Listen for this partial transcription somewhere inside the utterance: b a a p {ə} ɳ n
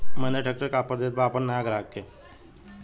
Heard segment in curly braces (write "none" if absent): ə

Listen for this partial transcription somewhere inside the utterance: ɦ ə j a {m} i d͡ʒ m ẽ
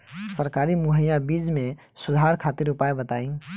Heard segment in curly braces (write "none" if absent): b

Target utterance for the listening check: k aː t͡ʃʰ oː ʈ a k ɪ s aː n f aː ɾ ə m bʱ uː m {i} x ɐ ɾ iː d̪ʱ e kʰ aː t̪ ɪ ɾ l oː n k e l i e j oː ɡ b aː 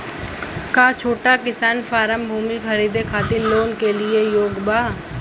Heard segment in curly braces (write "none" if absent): i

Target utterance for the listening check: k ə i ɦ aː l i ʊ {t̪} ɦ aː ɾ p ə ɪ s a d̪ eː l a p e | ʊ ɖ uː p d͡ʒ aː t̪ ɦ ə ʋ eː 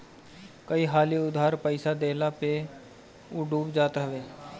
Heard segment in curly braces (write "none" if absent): d̪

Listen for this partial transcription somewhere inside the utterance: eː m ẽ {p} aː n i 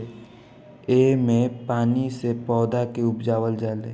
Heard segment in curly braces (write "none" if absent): p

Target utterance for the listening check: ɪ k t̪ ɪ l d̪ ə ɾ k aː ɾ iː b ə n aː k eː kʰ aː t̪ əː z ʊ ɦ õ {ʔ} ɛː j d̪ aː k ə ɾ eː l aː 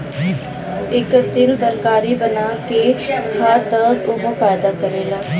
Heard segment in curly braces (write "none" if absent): p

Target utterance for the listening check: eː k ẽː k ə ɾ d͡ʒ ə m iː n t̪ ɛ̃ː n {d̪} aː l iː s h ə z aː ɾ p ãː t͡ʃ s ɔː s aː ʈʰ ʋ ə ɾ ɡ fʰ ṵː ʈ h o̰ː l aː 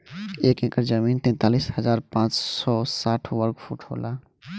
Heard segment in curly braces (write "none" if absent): t̪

